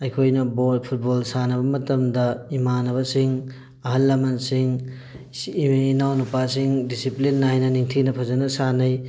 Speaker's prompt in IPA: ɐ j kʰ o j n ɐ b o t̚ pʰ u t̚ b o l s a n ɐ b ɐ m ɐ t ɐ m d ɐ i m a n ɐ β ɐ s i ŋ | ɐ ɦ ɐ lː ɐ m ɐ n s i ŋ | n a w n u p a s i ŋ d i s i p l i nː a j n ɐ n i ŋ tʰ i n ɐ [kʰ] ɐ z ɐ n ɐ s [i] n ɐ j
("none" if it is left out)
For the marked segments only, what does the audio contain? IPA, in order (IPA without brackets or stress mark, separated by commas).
pʰ, a